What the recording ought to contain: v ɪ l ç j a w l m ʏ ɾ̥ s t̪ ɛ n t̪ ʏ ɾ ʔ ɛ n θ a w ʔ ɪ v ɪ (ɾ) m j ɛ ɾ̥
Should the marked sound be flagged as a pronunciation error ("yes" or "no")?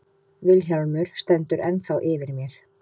no